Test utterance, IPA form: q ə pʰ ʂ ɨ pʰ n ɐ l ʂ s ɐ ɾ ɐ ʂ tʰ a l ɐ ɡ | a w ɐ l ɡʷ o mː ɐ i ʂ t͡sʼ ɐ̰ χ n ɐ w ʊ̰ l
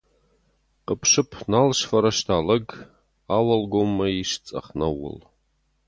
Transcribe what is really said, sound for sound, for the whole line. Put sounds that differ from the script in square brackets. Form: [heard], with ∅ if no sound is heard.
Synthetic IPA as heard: q ə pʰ ʂ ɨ pʰ n [a] l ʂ [f] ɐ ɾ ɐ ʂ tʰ a l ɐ ɡ | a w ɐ l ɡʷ o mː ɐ i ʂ t͡sʼ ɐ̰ χ n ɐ w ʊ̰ l